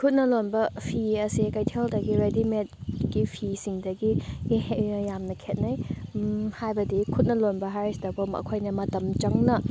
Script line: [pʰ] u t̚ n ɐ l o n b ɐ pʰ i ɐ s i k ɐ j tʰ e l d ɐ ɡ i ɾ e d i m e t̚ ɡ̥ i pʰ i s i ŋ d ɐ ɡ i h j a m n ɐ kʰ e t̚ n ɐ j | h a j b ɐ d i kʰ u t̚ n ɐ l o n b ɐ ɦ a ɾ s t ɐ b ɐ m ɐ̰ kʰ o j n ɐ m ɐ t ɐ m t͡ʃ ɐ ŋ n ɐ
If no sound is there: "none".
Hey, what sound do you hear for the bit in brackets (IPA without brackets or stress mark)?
kʰ